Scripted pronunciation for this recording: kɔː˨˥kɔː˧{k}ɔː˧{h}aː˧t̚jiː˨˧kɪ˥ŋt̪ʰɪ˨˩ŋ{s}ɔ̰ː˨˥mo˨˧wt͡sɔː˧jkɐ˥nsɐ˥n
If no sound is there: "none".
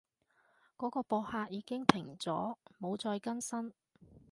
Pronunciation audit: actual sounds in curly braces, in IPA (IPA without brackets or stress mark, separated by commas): p, h, t͡s